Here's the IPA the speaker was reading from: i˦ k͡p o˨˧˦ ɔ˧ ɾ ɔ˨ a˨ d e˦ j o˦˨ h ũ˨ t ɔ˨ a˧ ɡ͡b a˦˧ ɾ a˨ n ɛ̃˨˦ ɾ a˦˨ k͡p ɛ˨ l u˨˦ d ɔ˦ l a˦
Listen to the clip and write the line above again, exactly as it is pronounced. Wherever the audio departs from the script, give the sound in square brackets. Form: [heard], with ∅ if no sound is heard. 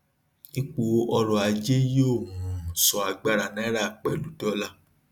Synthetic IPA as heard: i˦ k͡p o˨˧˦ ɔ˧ ɾ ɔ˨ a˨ [d͡ʒ] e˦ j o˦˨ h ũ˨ [s] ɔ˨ a˧ ɡ͡b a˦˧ ɾ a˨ n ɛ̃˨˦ ɾ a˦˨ k͡p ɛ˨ l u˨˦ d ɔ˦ l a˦